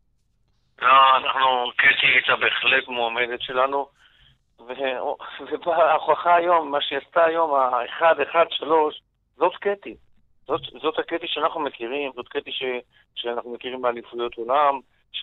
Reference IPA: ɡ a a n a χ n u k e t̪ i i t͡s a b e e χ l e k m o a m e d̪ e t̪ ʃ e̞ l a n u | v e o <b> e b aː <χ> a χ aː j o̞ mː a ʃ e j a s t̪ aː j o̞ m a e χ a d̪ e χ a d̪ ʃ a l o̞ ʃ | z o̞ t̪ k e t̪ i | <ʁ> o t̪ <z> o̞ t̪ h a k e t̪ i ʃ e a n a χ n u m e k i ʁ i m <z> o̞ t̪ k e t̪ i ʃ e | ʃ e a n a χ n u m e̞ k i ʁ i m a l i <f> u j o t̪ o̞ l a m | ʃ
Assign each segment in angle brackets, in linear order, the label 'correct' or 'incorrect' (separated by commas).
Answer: incorrect, correct, incorrect, correct, correct, correct